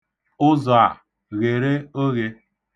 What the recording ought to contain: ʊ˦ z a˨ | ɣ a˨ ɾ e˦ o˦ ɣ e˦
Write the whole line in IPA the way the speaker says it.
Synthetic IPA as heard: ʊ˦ z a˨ | ɣ e˨ ɾ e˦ o˦ ɣ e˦